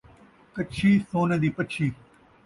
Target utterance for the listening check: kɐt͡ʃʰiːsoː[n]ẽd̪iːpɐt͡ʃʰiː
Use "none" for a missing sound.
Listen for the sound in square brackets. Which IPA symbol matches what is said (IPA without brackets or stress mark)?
n